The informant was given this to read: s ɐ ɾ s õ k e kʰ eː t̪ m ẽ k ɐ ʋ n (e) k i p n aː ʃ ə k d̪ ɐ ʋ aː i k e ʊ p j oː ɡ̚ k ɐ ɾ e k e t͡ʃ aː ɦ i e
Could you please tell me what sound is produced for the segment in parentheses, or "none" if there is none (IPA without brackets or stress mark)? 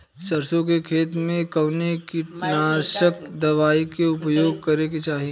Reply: e